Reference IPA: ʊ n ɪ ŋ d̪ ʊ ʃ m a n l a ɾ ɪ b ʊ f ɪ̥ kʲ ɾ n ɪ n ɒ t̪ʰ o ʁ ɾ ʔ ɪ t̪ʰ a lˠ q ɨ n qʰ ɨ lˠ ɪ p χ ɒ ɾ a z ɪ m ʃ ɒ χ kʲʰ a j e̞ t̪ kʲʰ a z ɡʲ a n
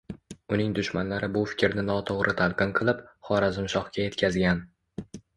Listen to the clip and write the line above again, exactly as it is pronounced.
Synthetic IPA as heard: ʊ n ɪ ŋ d̪ ʊ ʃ m a n l a ɾ ɪ b ʊ f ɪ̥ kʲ ɾ n ɪ n ɒ t̪ʰ o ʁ ɾ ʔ ɪ t̪ʰ a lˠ q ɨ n qʰ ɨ lˠ ɪ p χ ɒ ɾ a z ɪ m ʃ ɒ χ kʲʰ a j e̞ t̪ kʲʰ a z ɡʲ a n